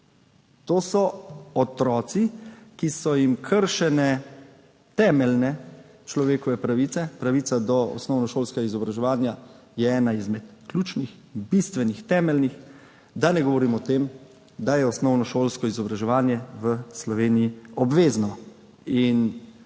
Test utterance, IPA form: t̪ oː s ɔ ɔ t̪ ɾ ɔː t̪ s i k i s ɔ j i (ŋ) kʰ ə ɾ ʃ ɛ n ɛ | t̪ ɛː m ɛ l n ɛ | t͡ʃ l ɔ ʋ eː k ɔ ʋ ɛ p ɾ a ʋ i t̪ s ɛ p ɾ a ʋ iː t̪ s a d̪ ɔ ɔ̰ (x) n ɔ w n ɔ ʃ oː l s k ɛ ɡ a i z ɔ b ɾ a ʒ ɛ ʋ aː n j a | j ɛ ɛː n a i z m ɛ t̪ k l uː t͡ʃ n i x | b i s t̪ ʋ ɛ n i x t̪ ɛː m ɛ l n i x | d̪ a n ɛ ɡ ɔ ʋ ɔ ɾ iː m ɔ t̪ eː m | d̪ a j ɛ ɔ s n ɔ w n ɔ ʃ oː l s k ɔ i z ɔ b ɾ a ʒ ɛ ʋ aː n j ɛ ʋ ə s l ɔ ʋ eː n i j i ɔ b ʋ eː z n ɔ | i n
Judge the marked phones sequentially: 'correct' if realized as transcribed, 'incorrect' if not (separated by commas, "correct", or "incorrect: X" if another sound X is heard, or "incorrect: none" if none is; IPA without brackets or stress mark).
incorrect: m, incorrect: s